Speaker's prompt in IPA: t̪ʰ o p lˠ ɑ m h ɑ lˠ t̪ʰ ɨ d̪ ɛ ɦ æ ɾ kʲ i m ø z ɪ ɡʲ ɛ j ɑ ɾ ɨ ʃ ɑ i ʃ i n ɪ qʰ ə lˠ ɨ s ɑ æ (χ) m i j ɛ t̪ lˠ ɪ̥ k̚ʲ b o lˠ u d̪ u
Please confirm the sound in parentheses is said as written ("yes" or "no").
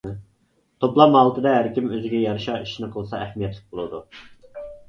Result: no